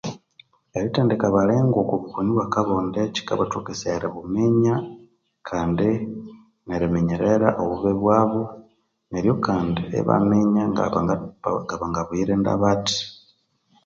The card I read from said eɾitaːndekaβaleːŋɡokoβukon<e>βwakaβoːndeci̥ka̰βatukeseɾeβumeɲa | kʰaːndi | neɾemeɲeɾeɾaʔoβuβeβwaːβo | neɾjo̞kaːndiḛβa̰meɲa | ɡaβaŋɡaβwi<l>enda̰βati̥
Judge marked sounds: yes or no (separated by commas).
no, no